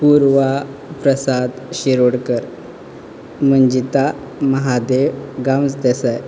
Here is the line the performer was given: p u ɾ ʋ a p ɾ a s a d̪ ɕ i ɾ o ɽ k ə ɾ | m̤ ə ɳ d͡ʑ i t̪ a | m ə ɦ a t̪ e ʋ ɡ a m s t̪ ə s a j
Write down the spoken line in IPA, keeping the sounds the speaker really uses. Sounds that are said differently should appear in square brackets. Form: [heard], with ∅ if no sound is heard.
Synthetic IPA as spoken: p u ɾ ʋ a p ɾ [ə] s a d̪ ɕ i ɾ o ɽ k ə ɾ | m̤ ə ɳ d͡ʑ i t̪ a | m ə ɦ a [d̪] e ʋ ɡ a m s [d̪] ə s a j